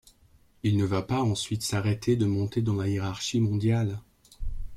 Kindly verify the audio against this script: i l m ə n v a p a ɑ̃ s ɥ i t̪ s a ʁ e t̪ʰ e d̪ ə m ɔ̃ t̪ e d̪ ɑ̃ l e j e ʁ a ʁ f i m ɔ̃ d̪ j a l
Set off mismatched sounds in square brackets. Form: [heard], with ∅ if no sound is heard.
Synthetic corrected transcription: i l [n] ə [∅] v a p a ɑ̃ s ɥ i t̪ s a ʁ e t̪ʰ e d̪ ə m ɔ̃ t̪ e d̪ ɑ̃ l [a] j e ʁ a ʁ [ʃ] i m ɔ̃ d̪ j a l